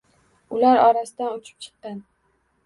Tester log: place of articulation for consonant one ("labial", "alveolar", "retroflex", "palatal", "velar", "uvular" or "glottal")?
alveolar